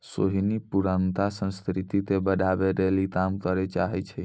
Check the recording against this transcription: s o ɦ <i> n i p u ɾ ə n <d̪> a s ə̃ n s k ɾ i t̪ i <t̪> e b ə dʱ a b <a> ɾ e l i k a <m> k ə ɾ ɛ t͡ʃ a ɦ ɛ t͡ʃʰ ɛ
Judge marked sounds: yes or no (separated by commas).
yes, no, yes, no, yes